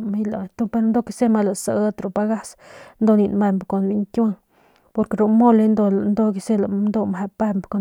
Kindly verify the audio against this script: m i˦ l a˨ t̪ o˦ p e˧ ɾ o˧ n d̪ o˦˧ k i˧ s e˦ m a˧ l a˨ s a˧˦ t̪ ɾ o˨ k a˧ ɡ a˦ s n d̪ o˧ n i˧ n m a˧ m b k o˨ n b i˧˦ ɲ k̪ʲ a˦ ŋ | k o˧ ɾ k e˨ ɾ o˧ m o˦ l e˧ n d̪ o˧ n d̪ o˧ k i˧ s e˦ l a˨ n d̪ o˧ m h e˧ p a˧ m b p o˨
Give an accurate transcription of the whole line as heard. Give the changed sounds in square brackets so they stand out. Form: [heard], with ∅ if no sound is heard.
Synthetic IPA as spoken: m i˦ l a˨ t̪ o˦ p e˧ ɾ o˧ n d̪ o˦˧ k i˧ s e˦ m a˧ l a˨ s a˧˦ t̪ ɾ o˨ [p] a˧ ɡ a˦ s n d̪ o˧ n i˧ n m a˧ m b k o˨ n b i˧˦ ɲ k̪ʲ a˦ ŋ | [p] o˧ ɾ k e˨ ɾ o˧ m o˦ l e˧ n d̪ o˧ n d̪ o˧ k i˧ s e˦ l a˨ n d̪ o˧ m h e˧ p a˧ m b [k] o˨